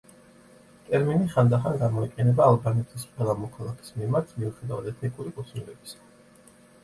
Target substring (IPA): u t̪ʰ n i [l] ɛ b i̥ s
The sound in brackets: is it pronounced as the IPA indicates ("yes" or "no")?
yes